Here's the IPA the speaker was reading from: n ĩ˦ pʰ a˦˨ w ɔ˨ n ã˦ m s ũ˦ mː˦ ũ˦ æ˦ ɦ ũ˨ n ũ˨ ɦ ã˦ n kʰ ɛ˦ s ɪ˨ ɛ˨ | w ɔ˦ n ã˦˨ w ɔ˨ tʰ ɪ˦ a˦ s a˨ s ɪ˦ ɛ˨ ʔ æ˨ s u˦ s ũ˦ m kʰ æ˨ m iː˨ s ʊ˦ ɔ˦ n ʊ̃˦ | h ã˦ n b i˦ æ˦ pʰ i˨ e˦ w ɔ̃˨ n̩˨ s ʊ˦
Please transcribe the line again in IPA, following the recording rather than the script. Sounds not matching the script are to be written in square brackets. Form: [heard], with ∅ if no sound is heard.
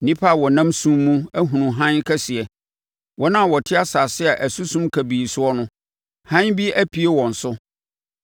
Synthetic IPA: n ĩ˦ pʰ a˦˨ w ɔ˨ n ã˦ m s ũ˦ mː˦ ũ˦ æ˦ ɦ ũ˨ n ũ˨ ɦ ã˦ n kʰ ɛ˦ s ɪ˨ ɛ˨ | w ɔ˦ n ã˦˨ w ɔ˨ tʰ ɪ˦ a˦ s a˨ s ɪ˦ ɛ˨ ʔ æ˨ s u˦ s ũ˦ m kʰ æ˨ [b] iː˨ s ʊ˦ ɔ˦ n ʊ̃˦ | h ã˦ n b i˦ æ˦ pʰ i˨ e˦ w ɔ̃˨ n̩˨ s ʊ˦